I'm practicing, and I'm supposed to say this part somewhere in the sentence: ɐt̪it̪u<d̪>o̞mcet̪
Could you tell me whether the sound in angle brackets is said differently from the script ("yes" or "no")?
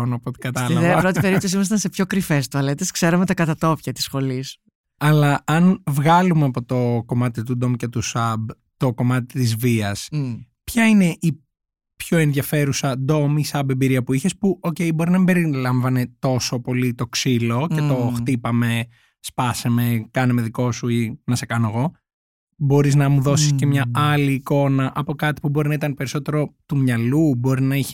no